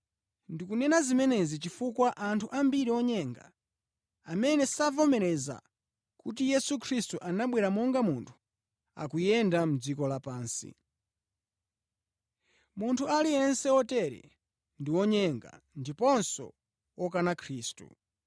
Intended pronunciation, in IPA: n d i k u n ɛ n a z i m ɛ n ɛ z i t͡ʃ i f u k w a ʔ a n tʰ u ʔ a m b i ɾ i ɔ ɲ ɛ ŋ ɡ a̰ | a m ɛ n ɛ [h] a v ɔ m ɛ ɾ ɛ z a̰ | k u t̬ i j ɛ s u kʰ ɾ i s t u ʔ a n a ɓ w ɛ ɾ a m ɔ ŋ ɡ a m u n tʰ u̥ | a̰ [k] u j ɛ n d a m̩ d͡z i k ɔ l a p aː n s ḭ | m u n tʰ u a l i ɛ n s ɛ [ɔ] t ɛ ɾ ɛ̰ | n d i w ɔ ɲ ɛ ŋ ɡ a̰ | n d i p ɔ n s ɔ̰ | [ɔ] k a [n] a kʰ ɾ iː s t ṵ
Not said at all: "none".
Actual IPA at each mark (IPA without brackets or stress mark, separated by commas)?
s, k, ɔ, ɔ, n